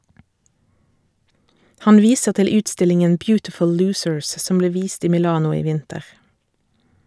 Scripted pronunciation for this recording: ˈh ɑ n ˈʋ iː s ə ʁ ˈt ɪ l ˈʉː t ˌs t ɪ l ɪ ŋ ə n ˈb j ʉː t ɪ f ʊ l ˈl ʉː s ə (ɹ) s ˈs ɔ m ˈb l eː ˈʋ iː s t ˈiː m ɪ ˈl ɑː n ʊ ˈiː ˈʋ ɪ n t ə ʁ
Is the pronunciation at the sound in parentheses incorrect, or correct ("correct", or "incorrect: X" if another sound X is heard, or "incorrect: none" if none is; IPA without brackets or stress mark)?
correct